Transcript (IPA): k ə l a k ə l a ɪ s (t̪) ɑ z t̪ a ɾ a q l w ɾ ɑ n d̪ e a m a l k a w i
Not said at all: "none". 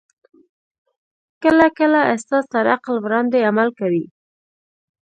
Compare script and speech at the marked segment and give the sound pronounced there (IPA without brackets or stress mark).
t̪